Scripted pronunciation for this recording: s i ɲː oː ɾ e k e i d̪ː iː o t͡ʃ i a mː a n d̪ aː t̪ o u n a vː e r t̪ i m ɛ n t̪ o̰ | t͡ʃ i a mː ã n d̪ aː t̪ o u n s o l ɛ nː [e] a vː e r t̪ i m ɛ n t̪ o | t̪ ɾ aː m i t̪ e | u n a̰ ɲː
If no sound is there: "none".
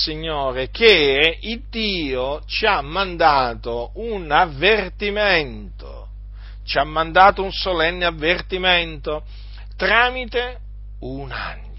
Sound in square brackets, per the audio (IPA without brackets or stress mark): e